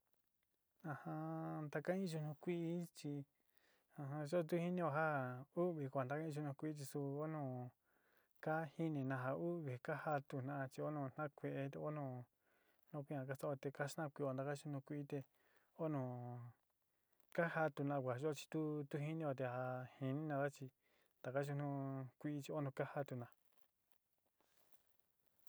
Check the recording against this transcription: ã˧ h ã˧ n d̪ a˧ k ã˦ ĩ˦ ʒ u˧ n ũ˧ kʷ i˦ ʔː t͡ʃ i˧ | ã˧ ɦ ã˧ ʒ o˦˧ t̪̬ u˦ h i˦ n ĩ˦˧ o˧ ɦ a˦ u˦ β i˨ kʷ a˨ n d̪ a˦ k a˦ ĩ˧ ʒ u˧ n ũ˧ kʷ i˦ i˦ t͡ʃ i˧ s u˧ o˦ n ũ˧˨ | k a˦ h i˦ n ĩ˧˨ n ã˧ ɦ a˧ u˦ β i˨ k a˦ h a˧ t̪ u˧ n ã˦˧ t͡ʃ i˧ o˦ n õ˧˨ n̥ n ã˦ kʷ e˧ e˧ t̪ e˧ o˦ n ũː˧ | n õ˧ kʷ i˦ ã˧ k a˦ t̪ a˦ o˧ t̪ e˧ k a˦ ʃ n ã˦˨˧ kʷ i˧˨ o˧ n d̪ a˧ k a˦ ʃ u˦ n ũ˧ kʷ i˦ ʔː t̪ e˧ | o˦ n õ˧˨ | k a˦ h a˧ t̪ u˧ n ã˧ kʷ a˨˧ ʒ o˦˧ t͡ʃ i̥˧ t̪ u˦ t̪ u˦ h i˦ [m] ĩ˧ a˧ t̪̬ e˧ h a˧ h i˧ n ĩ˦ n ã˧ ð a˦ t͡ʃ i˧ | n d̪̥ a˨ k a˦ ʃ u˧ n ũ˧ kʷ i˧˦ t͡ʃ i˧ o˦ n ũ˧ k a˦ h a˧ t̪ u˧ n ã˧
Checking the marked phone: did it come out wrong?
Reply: yes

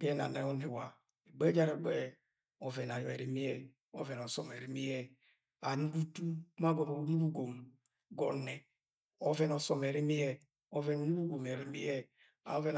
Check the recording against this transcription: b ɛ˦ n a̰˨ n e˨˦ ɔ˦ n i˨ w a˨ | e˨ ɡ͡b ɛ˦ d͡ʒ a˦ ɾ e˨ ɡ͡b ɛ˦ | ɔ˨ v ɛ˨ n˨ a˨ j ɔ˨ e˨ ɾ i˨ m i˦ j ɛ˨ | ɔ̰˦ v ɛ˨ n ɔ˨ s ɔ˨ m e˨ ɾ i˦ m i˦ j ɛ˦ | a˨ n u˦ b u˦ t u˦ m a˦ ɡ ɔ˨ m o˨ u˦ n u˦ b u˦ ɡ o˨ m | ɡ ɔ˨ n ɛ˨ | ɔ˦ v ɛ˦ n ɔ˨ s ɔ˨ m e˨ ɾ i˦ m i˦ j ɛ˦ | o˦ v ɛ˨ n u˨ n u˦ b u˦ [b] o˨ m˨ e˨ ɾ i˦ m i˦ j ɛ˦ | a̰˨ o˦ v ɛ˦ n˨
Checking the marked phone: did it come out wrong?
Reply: yes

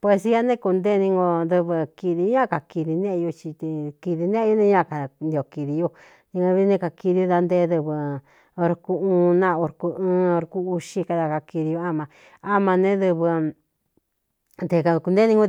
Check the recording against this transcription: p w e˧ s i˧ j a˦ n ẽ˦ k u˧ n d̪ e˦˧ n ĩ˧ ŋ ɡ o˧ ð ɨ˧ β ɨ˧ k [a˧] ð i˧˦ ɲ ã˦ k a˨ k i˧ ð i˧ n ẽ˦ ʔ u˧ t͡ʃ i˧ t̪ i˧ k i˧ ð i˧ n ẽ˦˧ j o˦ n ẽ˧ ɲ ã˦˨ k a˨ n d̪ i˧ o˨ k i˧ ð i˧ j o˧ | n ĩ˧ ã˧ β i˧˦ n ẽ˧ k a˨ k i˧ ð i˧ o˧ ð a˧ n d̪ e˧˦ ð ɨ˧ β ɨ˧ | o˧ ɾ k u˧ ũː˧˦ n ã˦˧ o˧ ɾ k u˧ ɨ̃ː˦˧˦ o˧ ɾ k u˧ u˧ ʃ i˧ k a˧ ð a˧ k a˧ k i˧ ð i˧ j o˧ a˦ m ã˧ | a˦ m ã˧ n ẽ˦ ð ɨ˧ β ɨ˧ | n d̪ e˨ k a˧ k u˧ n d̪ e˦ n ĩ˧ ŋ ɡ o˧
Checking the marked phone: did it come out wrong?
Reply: yes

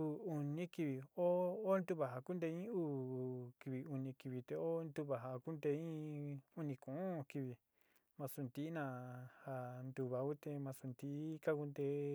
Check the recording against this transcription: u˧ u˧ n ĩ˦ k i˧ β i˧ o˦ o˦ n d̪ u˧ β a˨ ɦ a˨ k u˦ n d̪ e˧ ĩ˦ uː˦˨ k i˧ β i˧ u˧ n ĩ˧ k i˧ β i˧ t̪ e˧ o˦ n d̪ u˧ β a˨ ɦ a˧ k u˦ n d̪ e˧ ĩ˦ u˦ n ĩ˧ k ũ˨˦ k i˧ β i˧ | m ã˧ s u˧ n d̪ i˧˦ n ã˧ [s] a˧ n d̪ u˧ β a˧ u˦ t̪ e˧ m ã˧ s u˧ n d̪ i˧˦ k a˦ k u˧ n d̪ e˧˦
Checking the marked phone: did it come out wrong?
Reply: yes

